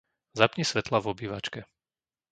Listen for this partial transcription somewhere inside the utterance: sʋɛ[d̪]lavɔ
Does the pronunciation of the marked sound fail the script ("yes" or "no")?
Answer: yes